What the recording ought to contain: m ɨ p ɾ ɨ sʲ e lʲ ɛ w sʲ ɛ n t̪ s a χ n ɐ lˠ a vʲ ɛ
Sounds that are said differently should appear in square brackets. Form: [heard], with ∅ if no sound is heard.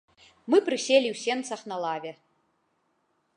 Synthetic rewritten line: m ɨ p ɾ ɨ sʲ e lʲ [i] w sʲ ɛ n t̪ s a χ n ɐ lˠ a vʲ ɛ